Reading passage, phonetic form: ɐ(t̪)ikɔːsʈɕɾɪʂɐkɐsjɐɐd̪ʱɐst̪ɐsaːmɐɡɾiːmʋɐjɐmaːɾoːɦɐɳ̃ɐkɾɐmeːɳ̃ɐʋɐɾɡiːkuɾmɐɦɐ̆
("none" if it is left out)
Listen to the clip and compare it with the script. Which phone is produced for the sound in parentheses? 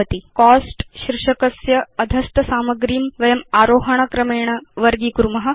t̪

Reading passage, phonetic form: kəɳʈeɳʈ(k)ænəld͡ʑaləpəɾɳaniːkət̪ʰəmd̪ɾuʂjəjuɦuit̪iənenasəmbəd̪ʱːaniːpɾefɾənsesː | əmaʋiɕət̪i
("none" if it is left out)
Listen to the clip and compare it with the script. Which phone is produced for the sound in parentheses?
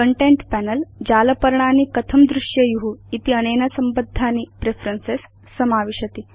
p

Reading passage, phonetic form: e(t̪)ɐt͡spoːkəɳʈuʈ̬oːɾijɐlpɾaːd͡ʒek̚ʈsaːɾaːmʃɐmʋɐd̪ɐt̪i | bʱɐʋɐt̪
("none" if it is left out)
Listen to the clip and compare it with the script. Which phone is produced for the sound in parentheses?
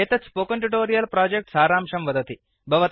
t̪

